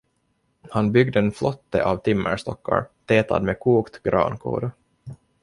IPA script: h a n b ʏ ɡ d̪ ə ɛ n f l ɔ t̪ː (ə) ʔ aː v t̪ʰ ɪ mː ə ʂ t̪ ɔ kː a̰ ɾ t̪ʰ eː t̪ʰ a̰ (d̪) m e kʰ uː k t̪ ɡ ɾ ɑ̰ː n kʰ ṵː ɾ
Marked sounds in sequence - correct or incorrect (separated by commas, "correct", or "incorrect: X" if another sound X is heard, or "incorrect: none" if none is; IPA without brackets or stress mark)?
correct, correct